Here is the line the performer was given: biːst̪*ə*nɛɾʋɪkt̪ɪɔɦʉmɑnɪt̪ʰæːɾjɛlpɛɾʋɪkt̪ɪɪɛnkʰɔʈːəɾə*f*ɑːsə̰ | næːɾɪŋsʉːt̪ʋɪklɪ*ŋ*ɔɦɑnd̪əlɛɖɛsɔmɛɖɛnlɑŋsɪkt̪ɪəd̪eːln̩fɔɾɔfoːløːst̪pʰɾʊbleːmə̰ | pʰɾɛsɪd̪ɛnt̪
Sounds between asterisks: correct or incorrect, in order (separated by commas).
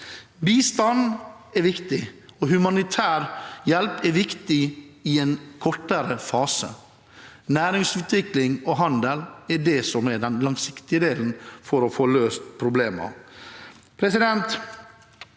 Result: incorrect, correct, correct